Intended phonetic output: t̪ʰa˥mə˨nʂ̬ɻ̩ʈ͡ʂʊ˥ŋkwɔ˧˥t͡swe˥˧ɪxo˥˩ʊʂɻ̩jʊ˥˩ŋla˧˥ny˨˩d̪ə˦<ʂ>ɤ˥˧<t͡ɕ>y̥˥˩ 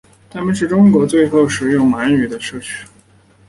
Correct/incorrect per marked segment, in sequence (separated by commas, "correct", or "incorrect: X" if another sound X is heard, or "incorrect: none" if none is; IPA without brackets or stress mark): correct, incorrect: t͡ɕʰ